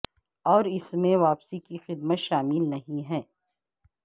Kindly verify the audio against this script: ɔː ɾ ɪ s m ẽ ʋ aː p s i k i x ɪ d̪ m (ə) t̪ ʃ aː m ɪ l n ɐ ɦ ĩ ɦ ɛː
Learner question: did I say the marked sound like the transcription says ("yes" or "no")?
yes